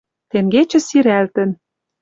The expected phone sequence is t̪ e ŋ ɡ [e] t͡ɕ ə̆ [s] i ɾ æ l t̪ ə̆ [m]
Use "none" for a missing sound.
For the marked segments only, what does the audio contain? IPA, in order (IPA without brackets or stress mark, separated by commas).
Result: e, s, n